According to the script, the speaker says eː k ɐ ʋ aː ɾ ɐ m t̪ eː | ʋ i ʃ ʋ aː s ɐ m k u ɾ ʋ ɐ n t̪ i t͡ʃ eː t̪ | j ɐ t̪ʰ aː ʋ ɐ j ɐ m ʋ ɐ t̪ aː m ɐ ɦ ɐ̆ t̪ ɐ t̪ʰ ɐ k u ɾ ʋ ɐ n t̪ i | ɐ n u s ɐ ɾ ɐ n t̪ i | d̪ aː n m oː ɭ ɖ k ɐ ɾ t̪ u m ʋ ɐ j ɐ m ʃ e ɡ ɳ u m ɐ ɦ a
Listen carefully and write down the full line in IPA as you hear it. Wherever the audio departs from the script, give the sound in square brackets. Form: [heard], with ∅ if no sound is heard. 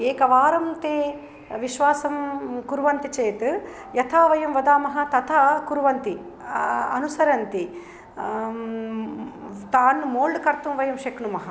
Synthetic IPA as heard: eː k ɐ ʋ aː ɾ ɐ m t̪ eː | ʋ i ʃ ʋ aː s ɐ m k u ɾ ʋ ɐ n t̪ i t͡ʃ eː t̪ | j ɐ t̪ʰ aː ʋ ɐ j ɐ m ʋ ɐ [d̪] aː m ɐ ɦ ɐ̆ t̪ ɐ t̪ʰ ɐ k u ɾ ʋ ɐ n t̪ i | ɐ n u s ɐ ɾ ɐ n t̪ i | [t̪] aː n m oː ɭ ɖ k ɐ ɾ t̪ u m ʋ ɐ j ɐ m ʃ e [k] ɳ u m ɐ ɦ [ɐ]